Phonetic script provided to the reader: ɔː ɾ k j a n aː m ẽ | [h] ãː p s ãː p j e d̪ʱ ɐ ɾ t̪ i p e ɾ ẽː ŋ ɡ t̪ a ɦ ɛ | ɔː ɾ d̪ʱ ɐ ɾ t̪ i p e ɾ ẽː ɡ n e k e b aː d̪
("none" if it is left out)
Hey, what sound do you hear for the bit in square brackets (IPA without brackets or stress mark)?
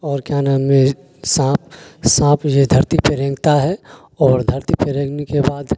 s